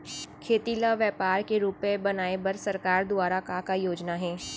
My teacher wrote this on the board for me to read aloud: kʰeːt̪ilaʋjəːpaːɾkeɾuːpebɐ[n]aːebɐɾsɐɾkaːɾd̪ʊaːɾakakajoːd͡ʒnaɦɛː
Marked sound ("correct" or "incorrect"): correct